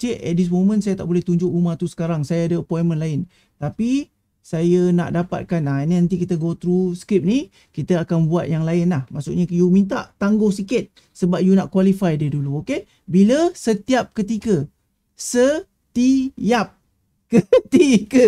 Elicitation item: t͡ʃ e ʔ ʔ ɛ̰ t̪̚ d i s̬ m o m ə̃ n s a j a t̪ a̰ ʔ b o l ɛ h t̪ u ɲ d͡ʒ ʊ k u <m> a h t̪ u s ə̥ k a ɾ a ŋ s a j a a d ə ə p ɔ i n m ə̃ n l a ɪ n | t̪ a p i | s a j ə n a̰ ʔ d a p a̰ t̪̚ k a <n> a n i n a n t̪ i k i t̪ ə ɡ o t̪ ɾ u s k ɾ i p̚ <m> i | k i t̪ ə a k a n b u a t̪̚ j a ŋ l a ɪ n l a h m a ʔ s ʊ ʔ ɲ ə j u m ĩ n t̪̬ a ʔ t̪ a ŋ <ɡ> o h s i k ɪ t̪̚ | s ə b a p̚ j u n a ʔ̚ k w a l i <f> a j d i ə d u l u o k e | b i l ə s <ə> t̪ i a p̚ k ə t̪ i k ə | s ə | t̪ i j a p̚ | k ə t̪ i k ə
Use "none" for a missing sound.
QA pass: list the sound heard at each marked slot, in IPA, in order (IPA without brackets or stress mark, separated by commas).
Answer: m, n, n, ɡ, f, ə